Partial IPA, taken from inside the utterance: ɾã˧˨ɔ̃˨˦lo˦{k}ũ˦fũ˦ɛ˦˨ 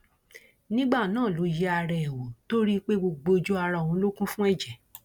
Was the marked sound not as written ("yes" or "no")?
no